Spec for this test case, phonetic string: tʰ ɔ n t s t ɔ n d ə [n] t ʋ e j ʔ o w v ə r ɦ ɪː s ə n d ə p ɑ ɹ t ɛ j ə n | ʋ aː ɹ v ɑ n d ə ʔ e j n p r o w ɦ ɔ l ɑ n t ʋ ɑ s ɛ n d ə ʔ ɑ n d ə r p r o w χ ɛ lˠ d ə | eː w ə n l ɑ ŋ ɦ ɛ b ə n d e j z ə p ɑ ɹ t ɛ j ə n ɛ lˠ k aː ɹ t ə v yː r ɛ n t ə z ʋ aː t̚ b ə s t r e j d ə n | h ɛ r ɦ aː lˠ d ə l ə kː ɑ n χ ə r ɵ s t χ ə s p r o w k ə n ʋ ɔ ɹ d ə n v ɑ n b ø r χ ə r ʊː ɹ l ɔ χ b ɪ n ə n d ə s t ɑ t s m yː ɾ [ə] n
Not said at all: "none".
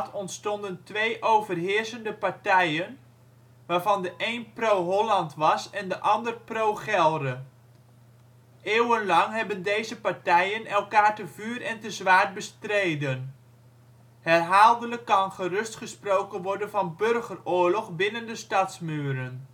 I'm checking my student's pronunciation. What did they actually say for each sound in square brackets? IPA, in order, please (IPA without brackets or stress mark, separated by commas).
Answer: n, ə